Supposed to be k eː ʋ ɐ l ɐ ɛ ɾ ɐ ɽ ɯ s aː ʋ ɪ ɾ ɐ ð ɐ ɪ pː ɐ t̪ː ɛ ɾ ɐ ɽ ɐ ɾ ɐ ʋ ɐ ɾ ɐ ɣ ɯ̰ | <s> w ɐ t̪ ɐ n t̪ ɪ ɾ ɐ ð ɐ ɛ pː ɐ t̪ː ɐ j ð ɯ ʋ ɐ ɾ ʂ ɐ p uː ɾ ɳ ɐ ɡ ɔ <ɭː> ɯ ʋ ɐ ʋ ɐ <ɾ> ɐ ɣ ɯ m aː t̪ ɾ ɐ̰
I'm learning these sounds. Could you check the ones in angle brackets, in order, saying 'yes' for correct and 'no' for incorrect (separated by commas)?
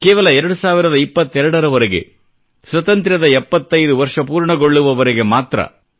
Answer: yes, yes, yes